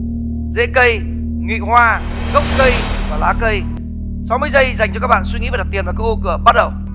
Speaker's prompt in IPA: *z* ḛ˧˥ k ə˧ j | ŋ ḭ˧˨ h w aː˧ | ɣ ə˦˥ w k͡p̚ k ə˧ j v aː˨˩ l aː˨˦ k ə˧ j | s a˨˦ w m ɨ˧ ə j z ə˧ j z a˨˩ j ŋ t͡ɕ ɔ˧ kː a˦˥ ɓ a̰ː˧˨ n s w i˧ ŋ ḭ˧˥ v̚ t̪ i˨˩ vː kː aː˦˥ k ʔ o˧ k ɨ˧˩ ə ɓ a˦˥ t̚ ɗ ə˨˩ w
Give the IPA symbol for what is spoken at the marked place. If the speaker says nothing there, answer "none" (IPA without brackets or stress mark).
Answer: z